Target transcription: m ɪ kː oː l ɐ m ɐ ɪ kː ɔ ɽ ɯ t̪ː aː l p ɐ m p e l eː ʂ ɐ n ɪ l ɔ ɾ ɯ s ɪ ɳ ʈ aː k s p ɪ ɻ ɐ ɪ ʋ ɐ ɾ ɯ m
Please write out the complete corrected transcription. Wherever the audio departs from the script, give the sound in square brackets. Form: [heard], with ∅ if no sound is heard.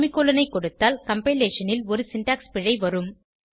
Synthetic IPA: m ɪ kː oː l ɐ [n] ɐ ɪ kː ɔ ɽ ɯ t̪ː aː l [k] ɐ m p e l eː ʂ ɐ n ɪ l ɔ ɾ ɯ s ɪ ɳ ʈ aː k s p ɪ ɻ ɐ ɪ ʋ ɐ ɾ ɯ m